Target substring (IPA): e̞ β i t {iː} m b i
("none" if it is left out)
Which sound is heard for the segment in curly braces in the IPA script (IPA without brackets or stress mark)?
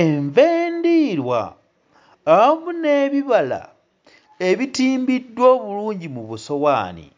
iː